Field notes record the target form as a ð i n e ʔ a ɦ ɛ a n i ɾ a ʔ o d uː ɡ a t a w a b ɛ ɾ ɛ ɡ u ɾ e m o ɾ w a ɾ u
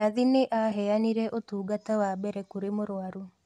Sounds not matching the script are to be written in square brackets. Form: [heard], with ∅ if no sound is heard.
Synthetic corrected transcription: a ð i n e ʔ a ɦ ɛ a n i ɾ [ɛ] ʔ o [t] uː ɡ a t a w a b ɛ ɾ ɛ [k] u ɾ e m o ɾ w a ɾ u